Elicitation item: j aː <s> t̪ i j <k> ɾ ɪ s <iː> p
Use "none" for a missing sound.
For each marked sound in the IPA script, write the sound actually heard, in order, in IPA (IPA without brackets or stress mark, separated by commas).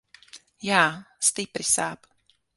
s, p, aː